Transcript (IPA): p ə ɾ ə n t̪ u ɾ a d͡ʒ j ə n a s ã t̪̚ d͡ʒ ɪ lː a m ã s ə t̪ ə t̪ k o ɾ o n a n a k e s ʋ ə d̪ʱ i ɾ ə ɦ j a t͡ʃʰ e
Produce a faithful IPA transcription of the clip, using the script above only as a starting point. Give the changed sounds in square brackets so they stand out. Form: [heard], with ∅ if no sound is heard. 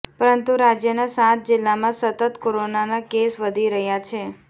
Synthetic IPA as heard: p ə ɾ ə n t̪ u ɾ a d͡ʒ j ə n a s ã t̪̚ d͡ʒ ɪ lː a m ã s ə t̪ ə t̪ k o ɾ o n a n a k e s ʋ ə d̪ʱ i ɾ ə ɦ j a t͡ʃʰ e